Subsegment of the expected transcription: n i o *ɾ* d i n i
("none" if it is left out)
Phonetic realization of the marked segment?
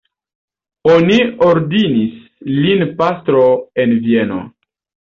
ɾ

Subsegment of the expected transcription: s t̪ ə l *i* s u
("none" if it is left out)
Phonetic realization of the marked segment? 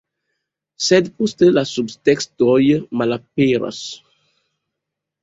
a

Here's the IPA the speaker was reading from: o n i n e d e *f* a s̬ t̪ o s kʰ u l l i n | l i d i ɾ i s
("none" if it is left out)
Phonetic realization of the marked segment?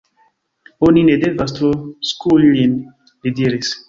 v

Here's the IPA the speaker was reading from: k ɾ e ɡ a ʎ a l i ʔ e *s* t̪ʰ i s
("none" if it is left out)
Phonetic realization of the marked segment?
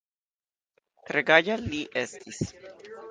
s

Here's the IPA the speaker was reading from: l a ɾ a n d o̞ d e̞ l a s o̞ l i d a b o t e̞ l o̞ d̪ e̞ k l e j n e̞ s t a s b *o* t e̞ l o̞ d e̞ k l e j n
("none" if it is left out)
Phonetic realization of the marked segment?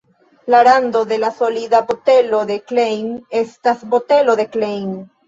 o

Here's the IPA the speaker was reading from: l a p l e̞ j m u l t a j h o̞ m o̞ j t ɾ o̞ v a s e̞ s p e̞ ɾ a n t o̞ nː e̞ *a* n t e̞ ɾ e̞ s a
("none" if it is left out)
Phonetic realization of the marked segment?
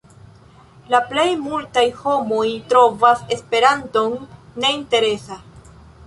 i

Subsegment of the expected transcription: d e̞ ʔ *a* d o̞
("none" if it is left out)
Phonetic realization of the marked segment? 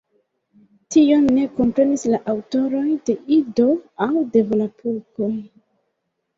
i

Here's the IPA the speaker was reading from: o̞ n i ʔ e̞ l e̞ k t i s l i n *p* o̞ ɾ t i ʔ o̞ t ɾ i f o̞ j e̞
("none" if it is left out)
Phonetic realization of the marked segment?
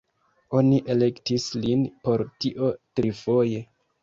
p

